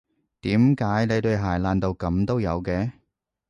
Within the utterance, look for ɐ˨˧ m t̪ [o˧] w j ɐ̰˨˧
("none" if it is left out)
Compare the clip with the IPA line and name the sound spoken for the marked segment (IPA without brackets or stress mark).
o˥